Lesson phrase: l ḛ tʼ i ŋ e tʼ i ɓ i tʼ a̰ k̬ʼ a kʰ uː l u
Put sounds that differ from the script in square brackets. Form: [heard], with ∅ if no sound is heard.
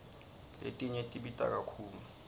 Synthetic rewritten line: l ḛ tʼ i [ɲ] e tʼ i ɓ i tʼ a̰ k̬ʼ a kʰ uː l u